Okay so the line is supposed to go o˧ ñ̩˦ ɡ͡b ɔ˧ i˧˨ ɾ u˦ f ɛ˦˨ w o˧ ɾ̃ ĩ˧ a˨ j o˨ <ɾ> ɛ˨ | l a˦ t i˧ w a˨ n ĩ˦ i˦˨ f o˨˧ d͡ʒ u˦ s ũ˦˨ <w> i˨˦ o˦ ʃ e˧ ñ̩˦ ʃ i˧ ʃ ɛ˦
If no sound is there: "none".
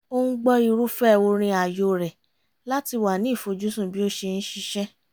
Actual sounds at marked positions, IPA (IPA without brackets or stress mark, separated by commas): ɾ, b